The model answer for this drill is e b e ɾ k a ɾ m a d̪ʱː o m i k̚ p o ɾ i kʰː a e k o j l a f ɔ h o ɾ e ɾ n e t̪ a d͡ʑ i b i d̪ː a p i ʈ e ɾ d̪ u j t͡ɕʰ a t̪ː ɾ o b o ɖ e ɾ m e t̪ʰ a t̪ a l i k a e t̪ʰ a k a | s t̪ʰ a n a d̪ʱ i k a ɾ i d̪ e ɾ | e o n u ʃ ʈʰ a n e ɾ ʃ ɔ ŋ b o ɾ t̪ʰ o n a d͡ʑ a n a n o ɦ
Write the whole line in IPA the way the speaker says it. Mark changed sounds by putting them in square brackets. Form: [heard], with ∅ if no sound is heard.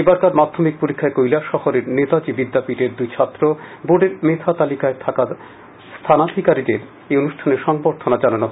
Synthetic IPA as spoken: e b [a] ɾ k a ɾ m a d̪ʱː o m i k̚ p o ɾ i kʰː a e k o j l a [ʃ] ɔ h o ɾ e ɾ n e t̪ a d͡ʑ i b i d̪ː a p i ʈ e ɾ d̪ u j t͡ɕʰ a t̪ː ɾ o b o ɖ e ɾ m e t̪ʰ a t̪ a l i k a e t̪ʰ a k a | s t̪ʰ a n a d̪ʱ i k a ɾ i d̪ e ɾ | e o n u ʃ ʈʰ a n e ɾ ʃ ɔ ŋ b o ɾ t̪ʰ o n a d͡ʑ a n a n o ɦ